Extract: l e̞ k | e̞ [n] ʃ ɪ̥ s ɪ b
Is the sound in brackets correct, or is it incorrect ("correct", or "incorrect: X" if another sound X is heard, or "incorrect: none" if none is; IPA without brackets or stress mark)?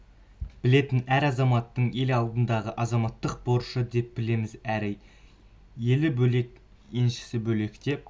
correct